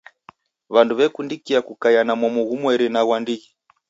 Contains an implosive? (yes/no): no